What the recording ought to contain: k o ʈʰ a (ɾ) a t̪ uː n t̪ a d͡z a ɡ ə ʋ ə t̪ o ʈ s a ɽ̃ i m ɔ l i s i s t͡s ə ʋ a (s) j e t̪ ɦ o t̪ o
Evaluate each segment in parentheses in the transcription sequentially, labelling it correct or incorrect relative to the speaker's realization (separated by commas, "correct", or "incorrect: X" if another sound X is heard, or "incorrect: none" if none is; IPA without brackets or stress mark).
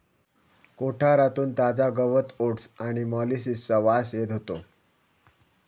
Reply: correct, correct